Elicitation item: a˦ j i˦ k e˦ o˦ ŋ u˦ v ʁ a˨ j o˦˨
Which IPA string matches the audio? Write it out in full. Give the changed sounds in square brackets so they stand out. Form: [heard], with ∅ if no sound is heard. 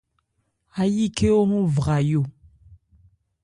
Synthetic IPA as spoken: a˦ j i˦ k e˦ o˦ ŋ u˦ v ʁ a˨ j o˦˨